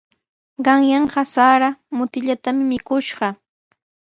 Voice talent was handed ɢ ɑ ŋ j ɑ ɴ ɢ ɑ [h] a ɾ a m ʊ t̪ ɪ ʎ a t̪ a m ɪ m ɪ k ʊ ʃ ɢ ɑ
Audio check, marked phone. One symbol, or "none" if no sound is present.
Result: s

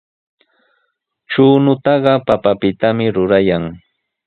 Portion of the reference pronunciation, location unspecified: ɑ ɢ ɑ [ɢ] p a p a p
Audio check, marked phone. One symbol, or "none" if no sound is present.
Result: none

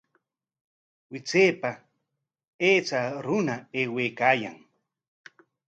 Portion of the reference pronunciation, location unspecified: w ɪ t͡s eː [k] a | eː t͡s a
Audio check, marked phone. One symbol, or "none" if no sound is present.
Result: p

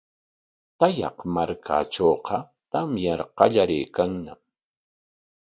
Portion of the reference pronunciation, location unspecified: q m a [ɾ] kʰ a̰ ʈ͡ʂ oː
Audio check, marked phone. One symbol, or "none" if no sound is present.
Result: ɾ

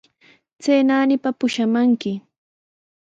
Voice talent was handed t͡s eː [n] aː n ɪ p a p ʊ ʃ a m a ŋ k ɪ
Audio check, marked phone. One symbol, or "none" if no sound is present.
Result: n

